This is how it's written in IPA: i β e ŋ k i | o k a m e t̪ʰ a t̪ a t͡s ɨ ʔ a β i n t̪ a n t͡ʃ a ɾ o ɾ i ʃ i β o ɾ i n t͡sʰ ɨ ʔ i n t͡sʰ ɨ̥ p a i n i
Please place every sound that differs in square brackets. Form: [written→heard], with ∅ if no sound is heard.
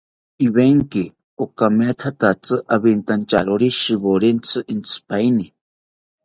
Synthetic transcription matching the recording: i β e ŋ k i | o k a m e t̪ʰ a t̪ a t͡s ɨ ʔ a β i n t̪ a n t͡ʃ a ɾ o ɾ i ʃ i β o ɾ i n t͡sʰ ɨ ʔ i n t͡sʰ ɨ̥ p a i n i

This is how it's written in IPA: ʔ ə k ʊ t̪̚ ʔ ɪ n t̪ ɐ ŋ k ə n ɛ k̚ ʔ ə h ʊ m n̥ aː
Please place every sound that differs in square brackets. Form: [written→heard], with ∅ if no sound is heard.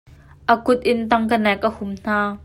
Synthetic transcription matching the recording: ʔ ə k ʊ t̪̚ ʔ ɪ n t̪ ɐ ŋ k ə n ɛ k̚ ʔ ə h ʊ m n̥ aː

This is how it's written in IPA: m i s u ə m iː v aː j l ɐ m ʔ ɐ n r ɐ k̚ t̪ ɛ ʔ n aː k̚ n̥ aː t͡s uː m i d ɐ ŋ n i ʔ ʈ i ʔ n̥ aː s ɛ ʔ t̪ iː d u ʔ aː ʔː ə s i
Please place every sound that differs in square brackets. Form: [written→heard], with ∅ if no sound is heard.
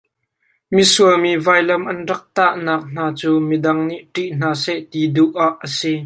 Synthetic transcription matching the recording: m i s u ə m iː v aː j l ɐ m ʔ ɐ n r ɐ k̚ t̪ [ɛ→a] ʔ n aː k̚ n̥ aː t͡s uː m i d ɐ ŋ n i ʔ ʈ i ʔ n̥ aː s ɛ ʔ t̪ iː d u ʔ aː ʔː ə s i

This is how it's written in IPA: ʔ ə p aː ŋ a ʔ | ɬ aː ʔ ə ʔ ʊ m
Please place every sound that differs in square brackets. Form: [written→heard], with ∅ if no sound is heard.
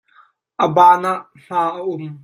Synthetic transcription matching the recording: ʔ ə [p→b] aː [ŋ→n] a ʔ | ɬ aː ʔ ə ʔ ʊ m

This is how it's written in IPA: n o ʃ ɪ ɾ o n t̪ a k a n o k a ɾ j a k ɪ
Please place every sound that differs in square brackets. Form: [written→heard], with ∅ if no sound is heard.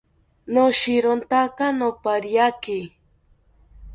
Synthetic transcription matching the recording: n o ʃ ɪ ɾ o n t̪ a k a n o [k→p] a ɾ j a k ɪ

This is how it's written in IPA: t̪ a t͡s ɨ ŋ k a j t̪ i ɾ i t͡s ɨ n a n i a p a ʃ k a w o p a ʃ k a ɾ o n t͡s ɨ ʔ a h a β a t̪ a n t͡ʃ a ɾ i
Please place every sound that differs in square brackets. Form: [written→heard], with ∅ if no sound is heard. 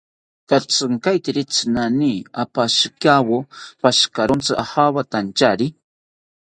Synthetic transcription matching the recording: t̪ a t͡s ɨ ŋ k a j t̪ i ɾ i t͡s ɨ n a n i a p a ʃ k a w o p a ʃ k a ɾ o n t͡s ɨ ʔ a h a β a t̪ a n t͡ʃ a ɾ i

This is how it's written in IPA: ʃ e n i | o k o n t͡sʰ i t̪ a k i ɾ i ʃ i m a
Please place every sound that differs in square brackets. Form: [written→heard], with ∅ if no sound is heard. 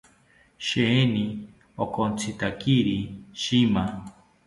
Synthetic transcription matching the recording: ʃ e n i | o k o n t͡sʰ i t̪ a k i ɾ i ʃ i m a

